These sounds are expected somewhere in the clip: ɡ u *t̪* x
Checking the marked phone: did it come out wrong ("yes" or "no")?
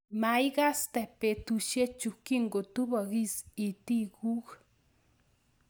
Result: yes